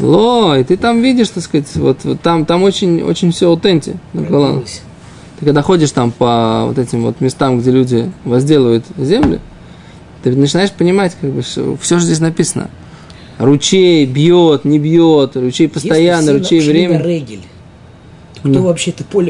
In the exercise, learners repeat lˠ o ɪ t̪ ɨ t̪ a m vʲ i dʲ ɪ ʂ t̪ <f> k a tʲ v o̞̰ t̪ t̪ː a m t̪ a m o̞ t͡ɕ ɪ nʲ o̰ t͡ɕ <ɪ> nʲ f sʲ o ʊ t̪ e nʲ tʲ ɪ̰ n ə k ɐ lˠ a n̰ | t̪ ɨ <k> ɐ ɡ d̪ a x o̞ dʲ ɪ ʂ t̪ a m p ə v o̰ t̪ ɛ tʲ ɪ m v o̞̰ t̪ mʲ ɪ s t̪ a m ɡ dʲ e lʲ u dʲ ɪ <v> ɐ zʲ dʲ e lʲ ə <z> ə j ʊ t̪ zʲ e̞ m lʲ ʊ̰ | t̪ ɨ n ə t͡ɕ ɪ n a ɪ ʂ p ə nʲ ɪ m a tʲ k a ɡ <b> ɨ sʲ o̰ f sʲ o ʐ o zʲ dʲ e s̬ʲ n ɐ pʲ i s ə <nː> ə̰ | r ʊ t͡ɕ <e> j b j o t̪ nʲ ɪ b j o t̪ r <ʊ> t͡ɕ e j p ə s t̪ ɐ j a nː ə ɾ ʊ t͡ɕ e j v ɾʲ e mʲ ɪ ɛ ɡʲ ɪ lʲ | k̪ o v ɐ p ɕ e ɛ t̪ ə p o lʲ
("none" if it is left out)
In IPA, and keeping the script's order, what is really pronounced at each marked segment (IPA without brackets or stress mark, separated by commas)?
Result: s, ɪ, k, v, v, b, n, e, ʊ